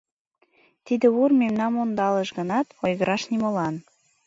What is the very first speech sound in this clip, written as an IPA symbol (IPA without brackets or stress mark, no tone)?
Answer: t̪